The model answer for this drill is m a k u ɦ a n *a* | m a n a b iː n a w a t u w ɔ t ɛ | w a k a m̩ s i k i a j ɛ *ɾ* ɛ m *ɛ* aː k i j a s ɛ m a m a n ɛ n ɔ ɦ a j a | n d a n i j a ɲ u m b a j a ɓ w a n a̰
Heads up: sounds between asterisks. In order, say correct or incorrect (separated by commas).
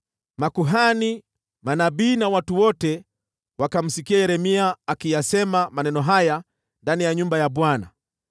incorrect, correct, incorrect